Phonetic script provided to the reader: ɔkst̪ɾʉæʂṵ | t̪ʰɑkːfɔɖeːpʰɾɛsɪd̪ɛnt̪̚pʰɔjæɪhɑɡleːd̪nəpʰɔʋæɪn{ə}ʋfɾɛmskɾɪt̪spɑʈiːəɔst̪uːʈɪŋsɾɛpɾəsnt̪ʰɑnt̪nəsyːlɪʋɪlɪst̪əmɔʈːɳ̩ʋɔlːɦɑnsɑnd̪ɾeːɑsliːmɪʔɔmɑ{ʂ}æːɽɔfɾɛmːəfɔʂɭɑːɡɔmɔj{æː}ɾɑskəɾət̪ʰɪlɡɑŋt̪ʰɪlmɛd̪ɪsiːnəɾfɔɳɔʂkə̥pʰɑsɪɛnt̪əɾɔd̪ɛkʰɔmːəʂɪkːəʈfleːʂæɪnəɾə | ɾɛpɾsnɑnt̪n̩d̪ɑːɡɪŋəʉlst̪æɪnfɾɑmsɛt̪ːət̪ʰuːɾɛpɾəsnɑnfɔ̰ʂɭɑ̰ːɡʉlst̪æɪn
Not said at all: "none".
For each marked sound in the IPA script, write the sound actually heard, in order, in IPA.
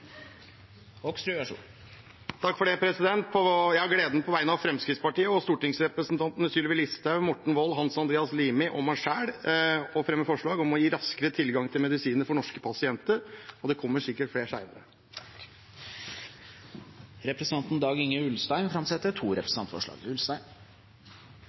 ɑ, ʂ, iː

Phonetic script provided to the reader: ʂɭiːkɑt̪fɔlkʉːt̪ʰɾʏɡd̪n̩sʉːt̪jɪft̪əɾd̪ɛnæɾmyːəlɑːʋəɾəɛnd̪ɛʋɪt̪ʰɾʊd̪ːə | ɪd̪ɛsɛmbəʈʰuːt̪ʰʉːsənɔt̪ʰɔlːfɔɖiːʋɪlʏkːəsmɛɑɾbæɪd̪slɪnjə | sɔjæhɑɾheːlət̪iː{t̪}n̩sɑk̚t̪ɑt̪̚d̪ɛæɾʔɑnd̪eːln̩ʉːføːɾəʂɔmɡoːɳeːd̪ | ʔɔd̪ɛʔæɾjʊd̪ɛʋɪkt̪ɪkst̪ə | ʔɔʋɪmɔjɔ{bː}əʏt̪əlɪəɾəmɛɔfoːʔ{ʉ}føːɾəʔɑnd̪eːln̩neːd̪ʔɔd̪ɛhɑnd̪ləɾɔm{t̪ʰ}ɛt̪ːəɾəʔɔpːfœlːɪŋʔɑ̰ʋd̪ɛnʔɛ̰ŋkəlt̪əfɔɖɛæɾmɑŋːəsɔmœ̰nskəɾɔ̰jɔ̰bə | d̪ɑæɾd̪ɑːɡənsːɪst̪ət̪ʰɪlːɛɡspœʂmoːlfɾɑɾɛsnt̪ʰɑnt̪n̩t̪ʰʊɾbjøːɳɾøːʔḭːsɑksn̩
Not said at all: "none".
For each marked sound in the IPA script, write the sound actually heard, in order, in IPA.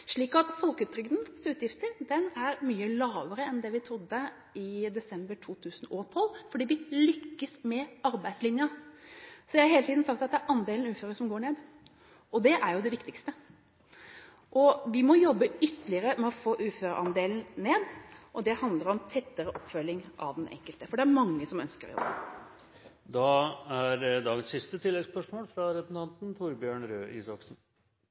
d̪, bː, ʉː, t̪ʰ

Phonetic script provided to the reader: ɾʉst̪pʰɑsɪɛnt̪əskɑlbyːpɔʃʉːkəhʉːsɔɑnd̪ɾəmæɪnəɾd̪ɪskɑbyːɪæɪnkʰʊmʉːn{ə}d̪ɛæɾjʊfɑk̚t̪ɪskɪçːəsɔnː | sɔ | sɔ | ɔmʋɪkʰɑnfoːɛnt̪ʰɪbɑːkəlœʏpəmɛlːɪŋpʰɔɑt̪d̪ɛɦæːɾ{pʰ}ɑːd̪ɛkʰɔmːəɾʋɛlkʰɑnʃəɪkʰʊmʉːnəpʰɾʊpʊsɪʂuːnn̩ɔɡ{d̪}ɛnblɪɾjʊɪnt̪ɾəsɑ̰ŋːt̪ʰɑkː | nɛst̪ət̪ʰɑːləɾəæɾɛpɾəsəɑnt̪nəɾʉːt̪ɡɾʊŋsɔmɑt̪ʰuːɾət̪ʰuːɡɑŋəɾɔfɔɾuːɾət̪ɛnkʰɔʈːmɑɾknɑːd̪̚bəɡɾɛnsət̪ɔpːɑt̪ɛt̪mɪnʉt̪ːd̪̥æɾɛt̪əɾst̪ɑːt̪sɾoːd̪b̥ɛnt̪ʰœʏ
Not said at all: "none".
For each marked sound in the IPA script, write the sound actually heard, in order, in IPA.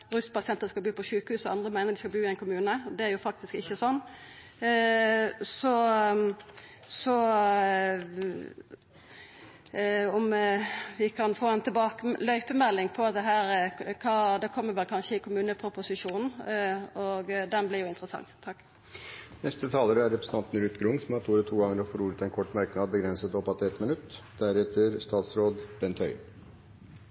ə, kʰ, d̪

